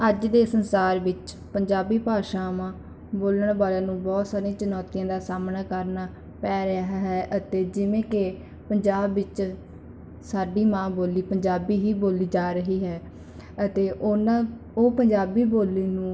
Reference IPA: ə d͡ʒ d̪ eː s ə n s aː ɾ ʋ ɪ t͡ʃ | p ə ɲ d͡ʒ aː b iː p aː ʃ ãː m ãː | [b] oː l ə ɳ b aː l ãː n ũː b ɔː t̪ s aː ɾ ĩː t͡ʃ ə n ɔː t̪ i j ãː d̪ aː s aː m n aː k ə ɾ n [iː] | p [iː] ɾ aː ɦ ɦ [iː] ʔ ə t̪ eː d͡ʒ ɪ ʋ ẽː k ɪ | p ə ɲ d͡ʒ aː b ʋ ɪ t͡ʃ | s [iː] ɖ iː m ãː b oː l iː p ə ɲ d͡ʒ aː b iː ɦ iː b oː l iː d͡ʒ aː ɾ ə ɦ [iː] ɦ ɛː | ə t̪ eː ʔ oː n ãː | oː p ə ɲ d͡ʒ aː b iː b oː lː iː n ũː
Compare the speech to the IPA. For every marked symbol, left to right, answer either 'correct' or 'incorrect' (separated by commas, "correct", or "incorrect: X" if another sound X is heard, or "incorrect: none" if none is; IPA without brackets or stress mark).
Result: correct, incorrect: aː, incorrect: ɛː, incorrect: ɛː, incorrect: aː, correct